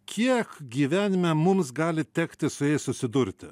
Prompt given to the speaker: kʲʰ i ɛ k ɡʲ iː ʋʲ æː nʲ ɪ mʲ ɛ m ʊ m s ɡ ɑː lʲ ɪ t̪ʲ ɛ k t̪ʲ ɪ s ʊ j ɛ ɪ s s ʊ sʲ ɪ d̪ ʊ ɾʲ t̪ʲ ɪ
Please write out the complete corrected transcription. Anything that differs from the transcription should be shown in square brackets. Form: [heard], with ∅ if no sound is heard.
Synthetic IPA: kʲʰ i ɛ k ɡʲ iː ʋʲ æː nʲ ɪ mʲ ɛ m ʊ m s ɡ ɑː lʲ ɪ t̪ʲ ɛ k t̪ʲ ɪ s ʊ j ɛ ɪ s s ʊ sʲ ɪ d̪ ʊ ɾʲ t̪ʲ ɪ

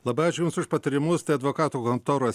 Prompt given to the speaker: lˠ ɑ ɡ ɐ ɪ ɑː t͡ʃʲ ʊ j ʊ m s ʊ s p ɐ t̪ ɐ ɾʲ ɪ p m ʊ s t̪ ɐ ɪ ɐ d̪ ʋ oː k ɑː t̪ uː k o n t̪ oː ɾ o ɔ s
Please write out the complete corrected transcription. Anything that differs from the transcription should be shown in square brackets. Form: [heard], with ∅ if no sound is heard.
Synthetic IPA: lˠ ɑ [b] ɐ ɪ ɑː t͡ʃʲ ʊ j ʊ m s ʊ [ʃ] p ɐ t̪ ɐ ɾʲ ɪ [∅] m ʊ s t̪ ɐ ɪ ɐ d̪ ʋ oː k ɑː t̪ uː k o n t̪ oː ɾ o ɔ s

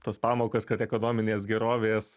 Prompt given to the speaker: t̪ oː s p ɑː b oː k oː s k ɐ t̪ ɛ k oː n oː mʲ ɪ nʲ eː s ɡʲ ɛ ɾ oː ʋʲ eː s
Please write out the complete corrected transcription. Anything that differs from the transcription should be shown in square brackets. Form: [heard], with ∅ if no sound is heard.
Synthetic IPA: t̪ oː s p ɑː [m] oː k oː s k ɐ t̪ ɛ k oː n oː mʲ ɪ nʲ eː s ɡʲ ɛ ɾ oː ʋʲ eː s

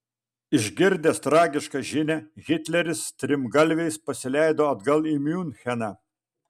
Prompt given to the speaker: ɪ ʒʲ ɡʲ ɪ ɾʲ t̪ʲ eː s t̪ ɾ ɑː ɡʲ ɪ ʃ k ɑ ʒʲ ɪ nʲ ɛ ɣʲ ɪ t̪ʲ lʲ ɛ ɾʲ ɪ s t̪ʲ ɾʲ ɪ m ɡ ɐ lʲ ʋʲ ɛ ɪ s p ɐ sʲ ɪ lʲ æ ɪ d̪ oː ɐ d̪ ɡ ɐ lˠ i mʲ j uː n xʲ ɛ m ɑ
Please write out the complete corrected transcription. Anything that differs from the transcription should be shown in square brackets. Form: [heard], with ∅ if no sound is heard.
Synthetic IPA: ɪ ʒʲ ɡʲ ɪ ɾʲ [d̪ʲ] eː s t̪ ɾ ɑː ɡʲ ɪ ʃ k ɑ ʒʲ ɪ nʲ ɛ ɣʲ ɪ t̪ʲ lʲ ɛ ɾʲ ɪ s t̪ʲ ɾʲ ɪ m ɡ ɐ lʲ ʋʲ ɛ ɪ s p ɐ sʲ ɪ lʲ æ ɪ d̪ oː ɐ d̪ ɡ ɐ lˠ i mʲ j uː n xʲ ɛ [n] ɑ

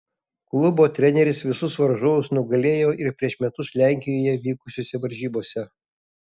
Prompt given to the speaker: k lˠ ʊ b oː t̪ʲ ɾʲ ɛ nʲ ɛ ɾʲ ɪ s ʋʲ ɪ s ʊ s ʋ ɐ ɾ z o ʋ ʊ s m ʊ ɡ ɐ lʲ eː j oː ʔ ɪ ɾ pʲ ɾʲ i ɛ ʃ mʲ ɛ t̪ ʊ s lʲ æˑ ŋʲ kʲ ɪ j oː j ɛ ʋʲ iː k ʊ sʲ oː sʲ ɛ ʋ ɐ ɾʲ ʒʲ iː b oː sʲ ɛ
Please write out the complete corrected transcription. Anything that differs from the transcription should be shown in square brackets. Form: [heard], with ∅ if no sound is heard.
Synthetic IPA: k lˠ ʊ b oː t̪ʲ ɾʲ ɛ nʲ ɛ ɾʲ ɪ s ʋʲ ɪ s ʊ s ʋ ɐ ɾ [ʒ] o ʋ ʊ s [n] ʊ ɡ ɐ lʲ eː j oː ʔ ɪ ɾ pʲ ɾʲ i ɛ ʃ mʲ ɛ t̪ ʊ s lʲ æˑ ŋʲ kʲ ɪ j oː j ɛ ʋʲ iː k ʊ sʲ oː sʲ ɛ ʋ ɐ ɾʲ ʒʲ iː b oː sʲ ɛ

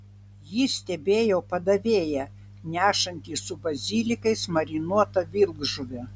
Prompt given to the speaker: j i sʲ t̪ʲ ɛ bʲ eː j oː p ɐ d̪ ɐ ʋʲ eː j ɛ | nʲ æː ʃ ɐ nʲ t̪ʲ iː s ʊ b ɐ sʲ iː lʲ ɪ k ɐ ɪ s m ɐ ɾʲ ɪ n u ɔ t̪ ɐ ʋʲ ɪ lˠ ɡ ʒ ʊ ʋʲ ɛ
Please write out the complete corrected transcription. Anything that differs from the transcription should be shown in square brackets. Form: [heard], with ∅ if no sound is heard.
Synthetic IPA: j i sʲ t̪ʲ ɛ bʲ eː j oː p ɐ d̪ ɐ ʋʲ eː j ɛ | nʲ æː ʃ ɐ nʲ t̪ʲ iː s ʊ b ɐ [zʲ] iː lʲ ɪ k ɐ ɪ s m ɐ ɾʲ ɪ n u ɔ t̪ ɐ ʋʲ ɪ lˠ ɡ ʒ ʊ ʋʲ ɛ

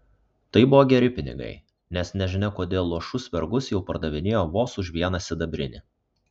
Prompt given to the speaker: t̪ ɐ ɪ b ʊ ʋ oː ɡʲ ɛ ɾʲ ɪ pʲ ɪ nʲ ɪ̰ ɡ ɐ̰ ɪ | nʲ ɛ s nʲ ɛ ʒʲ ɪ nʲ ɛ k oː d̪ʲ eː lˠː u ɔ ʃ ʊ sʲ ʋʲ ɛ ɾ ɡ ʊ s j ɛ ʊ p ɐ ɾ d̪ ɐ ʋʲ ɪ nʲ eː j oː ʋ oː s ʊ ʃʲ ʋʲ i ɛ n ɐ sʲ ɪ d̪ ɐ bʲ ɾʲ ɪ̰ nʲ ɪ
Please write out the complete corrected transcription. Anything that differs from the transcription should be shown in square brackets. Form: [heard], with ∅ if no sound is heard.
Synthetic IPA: t̪ ɐ ɪ b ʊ ʋ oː ɡʲ ɛ ɾʲ ɪ pʲ ɪ nʲ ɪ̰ ɡ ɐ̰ ɪ | nʲ ɛ s nʲ ɛ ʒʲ ɪ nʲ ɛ k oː d̪ʲ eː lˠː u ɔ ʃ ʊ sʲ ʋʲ ɛ ɾ ɡ ʊ s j ɛ ʊ p ɐ ɾ d̪ ɐ ʋʲ ɪ nʲ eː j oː ʋ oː s ʊ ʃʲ ʋʲ i ɛ n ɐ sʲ ɪ d̪ ɐ bʲ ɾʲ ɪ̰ nʲ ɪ

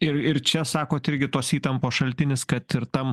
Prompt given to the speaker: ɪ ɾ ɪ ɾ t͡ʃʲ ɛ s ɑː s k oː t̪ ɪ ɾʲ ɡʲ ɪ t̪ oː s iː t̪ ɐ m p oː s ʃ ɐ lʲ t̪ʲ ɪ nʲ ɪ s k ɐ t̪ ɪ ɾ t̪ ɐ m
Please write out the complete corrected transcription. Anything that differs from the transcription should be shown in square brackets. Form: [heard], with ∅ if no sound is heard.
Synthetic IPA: ɪ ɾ ɪ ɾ t͡ʃʲ ɛ s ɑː [∅] k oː t̪ ɪ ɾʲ ɡʲ ɪ t̪ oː s iː t̪ ɐ m p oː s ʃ ɐ lʲ t̪ʲ ɪ nʲ ɪ s k ɐ t̪ ɪ ɾ t̪ ɐ m

